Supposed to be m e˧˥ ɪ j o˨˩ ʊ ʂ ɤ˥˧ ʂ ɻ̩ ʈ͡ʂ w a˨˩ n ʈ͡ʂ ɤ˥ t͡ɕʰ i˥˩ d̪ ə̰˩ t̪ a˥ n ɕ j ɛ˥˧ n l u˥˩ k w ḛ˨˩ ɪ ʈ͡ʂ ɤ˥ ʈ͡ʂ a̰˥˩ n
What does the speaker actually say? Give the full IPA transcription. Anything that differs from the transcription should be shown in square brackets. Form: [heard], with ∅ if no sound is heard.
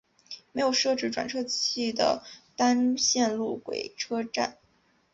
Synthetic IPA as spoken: m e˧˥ ɪ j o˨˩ ʊ ʂ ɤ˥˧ [ʈ͡ʂ] ɻ̩ ʈ͡ʂ w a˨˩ n [ʈ͡ʂʰ] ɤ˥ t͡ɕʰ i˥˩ d̪ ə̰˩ t̪ a˥ n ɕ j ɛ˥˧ n l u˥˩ k w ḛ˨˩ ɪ [ʈ͡ʂʰ] ɤ˥ ʈ͡ʂ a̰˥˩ n